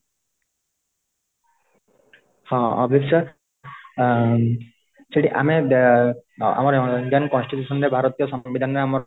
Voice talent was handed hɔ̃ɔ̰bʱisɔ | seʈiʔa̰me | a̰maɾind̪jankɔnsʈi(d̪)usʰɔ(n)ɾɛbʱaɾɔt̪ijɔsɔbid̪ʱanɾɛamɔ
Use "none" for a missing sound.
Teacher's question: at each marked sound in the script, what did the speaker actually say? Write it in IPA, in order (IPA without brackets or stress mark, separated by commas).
t̪, n